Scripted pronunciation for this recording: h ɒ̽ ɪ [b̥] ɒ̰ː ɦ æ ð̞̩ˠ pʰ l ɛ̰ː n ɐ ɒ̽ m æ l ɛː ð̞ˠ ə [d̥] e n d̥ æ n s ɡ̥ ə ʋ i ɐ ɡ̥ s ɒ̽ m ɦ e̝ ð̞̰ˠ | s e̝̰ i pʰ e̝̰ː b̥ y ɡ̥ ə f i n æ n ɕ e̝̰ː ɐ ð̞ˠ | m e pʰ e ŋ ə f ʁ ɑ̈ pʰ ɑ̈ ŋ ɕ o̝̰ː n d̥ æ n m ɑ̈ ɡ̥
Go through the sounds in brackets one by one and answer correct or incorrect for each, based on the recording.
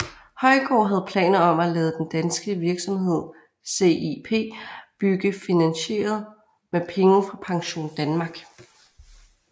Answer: incorrect, correct

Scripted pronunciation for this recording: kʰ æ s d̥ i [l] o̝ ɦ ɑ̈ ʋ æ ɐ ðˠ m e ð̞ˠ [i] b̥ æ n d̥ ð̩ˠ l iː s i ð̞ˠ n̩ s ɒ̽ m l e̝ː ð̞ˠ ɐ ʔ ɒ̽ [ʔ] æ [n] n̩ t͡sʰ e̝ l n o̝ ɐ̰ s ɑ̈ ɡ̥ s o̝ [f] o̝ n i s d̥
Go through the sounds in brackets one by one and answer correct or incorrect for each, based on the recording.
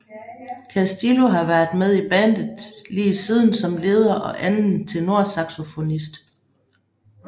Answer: correct, correct, correct, correct, correct

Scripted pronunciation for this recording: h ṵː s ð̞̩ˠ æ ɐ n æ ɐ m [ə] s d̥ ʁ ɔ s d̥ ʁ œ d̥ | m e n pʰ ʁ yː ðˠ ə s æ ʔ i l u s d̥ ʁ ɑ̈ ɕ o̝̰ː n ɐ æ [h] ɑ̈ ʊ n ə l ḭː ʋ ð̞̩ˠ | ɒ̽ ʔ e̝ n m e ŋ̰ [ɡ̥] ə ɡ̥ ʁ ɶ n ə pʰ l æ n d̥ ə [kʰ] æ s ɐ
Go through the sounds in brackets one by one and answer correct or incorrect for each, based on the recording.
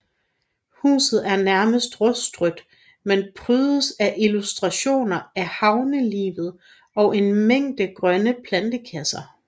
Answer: correct, correct, incorrect, correct

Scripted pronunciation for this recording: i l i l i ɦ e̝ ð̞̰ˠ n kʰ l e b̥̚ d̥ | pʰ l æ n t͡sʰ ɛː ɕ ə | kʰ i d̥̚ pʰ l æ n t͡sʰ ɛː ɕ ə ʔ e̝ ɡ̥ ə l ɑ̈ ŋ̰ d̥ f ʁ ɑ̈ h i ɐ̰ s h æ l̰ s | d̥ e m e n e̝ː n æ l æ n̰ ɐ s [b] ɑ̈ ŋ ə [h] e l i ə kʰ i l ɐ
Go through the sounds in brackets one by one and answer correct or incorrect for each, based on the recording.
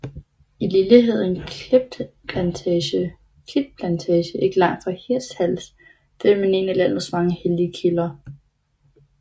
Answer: incorrect, correct

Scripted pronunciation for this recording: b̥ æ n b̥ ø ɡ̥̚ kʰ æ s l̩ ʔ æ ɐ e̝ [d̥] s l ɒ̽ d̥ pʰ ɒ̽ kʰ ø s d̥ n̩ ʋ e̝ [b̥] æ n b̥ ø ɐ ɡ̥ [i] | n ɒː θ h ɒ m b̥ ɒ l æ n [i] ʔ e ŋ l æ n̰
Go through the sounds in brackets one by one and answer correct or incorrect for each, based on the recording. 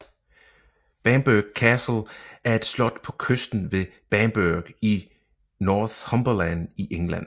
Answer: correct, correct, correct, correct

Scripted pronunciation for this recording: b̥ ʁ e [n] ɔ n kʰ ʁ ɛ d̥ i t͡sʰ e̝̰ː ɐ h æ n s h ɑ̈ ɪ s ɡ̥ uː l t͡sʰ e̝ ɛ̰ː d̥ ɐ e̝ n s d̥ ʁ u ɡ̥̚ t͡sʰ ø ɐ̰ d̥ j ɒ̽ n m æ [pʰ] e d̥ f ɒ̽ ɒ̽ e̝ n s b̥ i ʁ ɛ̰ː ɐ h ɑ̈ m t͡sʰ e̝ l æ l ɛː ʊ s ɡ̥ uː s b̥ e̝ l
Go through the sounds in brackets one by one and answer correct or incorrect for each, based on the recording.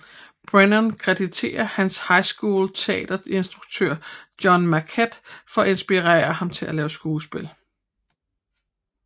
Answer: correct, incorrect

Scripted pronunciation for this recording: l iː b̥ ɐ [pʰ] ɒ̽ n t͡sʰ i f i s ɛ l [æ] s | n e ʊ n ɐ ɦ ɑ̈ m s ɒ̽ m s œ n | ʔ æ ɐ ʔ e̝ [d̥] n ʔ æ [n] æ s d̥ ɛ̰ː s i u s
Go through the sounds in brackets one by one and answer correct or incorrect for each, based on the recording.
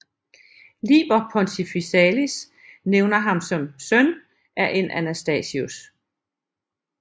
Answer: correct, incorrect, incorrect, correct

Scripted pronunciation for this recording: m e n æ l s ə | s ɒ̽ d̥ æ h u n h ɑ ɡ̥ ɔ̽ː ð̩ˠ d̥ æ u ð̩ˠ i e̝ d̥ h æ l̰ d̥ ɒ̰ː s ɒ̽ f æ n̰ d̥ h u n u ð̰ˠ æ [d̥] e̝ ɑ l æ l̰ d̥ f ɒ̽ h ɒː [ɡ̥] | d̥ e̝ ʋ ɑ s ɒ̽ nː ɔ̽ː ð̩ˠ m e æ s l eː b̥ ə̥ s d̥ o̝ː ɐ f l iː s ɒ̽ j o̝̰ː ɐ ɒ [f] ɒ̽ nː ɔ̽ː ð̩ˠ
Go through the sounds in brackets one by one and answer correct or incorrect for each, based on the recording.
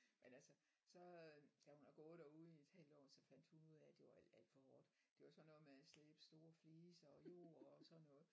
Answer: correct, incorrect, incorrect

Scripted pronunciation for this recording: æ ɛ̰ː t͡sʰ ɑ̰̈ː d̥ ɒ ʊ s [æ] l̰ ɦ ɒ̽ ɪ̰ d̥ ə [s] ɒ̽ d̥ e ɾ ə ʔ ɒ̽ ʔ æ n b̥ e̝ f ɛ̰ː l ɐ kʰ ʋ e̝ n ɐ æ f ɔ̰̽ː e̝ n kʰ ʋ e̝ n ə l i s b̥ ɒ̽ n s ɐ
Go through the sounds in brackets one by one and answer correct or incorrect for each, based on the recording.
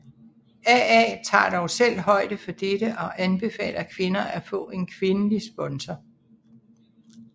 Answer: incorrect, incorrect

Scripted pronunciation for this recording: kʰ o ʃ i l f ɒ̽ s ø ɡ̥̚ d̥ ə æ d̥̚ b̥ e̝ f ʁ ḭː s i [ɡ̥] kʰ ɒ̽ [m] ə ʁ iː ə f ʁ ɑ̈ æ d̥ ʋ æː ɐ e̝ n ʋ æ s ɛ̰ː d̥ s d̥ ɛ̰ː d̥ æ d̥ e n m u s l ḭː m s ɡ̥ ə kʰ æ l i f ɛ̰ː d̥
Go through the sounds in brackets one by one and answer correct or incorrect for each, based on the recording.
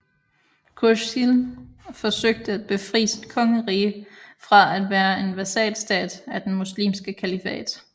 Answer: incorrect, incorrect

